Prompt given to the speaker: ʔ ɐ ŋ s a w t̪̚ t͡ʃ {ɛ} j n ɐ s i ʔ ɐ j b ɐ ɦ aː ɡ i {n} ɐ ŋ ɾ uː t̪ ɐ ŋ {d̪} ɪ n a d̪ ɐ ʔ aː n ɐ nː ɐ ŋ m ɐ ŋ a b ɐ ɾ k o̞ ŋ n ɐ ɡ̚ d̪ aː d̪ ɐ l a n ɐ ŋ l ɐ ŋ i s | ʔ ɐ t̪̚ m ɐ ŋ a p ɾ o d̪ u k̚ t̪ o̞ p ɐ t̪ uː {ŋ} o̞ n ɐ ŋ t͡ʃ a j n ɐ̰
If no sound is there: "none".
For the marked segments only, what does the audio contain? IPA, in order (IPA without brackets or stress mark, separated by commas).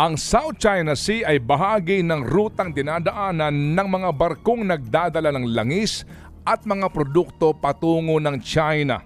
a, n, d̪, ŋ